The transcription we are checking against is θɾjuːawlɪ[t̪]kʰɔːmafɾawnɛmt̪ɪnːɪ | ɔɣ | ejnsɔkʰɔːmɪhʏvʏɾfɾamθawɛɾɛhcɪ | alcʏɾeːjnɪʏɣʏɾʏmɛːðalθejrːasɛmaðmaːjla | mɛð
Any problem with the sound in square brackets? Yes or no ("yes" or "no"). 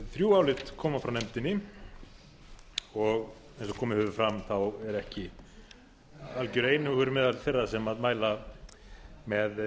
no